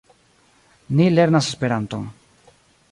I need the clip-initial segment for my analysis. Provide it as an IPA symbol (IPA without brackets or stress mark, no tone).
n